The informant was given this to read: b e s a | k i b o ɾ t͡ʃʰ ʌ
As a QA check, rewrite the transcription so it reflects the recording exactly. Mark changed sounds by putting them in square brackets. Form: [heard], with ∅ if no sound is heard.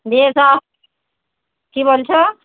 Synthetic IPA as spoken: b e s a | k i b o [l] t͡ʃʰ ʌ